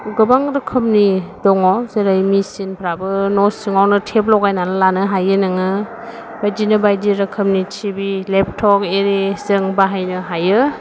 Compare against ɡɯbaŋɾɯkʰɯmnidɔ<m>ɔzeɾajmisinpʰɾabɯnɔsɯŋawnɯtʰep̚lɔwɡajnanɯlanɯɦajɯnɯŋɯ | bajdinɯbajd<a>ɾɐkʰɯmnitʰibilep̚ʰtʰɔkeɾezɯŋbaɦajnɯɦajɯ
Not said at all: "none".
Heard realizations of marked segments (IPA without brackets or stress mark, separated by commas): ŋ, i